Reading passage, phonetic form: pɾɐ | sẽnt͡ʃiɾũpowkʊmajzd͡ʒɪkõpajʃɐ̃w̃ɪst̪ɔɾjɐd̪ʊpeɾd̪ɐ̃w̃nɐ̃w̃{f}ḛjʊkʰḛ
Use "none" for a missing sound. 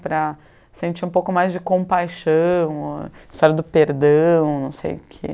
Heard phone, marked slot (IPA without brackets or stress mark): s